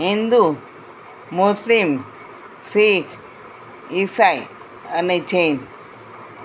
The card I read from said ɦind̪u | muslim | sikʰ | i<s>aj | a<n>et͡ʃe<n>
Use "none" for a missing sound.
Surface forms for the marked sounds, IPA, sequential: s, n, n

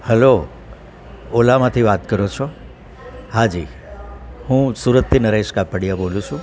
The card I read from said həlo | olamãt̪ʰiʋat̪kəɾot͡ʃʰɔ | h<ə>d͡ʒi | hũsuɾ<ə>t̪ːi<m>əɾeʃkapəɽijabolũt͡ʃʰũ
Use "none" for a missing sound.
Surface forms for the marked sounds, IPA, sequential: a, ə, n

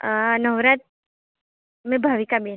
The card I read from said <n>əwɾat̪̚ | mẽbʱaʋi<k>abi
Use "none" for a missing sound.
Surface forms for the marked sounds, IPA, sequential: n, k

